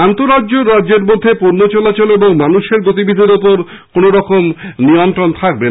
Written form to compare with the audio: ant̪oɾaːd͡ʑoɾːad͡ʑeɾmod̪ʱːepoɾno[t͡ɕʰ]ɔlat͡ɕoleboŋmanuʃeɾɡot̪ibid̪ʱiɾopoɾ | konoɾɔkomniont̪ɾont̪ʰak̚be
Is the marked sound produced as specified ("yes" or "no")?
no